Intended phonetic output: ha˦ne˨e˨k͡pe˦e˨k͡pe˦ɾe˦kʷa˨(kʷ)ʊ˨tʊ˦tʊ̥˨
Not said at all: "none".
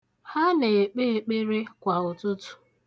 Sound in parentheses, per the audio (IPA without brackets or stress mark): none